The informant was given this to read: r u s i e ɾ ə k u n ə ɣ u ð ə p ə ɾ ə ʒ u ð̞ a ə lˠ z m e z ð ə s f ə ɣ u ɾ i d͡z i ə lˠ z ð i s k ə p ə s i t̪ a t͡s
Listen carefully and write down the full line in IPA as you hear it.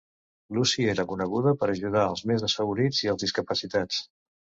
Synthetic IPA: l u s i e ɾ ə k u n ə ɣ u ð ə p ə ɾ ə ʒ u ð̞ a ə lˠ z m e z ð ə s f ə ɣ u ɾ i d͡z i ə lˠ z ð i s k ə p ə s i t̪ a t͡s